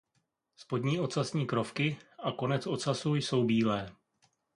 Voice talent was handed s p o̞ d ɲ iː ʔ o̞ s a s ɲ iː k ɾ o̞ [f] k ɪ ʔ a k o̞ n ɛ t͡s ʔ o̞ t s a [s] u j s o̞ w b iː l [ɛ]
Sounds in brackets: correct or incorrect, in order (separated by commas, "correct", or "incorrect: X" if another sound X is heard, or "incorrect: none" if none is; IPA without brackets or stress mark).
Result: correct, correct, incorrect: ɛː